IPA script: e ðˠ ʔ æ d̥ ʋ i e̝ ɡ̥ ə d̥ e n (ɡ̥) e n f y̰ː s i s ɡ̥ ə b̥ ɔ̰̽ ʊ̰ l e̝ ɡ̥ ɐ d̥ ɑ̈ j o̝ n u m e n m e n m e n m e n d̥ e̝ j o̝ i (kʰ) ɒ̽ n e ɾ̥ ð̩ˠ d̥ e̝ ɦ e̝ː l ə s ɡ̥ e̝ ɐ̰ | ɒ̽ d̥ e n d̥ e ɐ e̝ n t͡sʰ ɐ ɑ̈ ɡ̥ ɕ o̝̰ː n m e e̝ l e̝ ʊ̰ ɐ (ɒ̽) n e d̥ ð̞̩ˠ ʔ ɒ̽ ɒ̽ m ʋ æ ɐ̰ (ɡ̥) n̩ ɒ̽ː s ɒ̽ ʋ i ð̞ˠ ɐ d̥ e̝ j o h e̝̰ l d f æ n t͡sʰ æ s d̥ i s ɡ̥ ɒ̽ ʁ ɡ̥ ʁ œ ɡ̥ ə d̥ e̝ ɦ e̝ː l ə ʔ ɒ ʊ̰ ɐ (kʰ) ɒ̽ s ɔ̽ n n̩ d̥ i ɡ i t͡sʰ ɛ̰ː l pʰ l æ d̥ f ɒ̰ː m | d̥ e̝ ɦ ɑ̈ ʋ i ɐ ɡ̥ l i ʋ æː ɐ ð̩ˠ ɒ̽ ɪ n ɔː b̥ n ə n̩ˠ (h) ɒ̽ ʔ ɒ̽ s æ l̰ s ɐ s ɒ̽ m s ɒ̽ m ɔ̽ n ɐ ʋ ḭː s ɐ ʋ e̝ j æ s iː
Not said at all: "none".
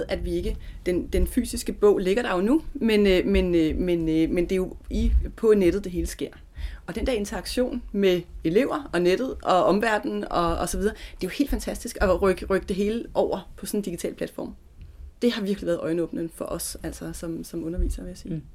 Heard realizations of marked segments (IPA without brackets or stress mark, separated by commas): d̥, pʰ, ɒ̽, d̥, pʰ, f